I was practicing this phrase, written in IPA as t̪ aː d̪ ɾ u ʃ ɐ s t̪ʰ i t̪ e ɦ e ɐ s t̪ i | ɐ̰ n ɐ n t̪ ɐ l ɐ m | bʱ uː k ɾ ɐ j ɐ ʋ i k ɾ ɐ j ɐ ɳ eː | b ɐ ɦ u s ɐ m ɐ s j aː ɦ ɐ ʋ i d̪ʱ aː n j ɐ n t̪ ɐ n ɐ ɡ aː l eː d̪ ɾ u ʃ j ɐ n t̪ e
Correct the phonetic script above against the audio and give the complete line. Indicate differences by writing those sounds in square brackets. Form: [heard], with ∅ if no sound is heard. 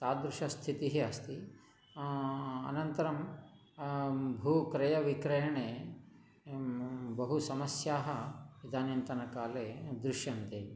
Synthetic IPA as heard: t̪ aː d̪ ɾ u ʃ ɐ s t̪ʰ i t̪ [i] ɦ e ɐ s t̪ i | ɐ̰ n ɐ n t̪ ɐ [ɾ] ɐ m | bʱ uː k ɾ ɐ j ɐ ʋ i k ɾ ɐ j ɐ ɳ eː | b ɐ ɦ u s ɐ m ɐ s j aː ɦ ɐ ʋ i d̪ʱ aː n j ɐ n t̪ ɐ n ɐ [k] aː l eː d̪ ɾ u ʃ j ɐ n t̪ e